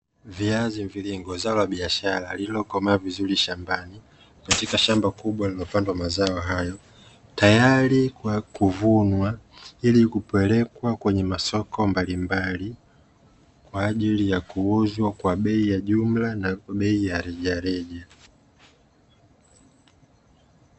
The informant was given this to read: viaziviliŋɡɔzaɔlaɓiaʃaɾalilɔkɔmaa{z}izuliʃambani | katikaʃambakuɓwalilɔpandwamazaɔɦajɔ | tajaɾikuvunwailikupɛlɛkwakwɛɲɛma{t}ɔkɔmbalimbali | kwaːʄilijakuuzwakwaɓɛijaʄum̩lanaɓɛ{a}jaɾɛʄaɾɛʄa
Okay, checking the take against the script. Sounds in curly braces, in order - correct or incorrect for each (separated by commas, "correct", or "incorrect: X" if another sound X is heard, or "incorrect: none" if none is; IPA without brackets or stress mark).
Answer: incorrect: v, incorrect: s, incorrect: i